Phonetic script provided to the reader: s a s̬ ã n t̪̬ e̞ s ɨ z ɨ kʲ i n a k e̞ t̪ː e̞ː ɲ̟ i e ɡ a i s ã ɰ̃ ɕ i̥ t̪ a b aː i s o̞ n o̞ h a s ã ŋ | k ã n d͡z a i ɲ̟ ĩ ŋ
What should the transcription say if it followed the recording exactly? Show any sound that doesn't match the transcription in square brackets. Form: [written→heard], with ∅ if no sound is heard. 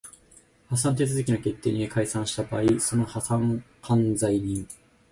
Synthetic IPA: [s→h] a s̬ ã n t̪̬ e̞ [s→t͡s] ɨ z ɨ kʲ i n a k e̞ t̪ː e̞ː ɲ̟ i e [ɡ→k] a i s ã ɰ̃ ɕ i̥ t̪ a b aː i s o̞ n o̞ h a s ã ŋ | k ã n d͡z a i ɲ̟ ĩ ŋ